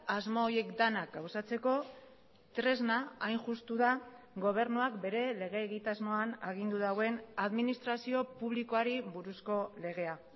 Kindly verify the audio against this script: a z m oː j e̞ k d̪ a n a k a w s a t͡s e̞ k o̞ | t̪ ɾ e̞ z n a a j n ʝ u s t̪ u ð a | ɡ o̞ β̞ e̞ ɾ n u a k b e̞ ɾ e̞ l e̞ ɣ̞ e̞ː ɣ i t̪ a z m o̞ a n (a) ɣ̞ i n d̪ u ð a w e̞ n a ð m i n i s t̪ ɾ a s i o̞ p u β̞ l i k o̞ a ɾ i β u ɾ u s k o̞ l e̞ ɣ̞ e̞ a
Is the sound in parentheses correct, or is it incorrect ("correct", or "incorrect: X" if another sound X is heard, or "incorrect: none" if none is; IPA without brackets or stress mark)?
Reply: correct